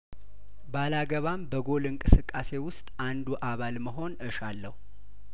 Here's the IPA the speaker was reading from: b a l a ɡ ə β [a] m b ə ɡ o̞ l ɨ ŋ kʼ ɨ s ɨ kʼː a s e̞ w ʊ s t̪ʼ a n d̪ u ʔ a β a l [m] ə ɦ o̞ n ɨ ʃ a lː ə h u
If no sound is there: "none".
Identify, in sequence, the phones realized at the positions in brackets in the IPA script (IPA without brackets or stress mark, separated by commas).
a, m